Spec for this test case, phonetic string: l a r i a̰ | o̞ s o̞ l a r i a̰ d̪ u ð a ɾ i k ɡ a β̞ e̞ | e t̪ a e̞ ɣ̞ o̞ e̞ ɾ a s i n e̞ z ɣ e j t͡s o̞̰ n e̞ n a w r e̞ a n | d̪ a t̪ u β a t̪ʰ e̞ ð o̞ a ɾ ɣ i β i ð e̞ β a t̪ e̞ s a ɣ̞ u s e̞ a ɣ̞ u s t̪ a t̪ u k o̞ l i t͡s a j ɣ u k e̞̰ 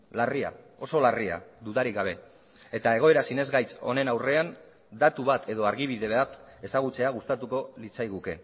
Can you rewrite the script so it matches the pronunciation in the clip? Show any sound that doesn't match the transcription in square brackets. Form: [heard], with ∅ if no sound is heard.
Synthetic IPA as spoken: l a r i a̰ | o̞ s o̞ l a r i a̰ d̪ u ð a ɾ i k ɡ a β̞ e̞ | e t̪ a e̞ ɣ̞ o̞ e̞ ɾ a s i n e̞ z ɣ [a] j t͡s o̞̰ n e̞ n a w r e̞ a n | d̪ a t̪ u β a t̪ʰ e̞ ð o̞ a ɾ ɣ i β i ð e̞ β a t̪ e̞ s a ɣ̞ u [t͡s] e̞ a ɣ̞ u s t̪ a t̪ u k o̞ l i t͡s a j ɣ u k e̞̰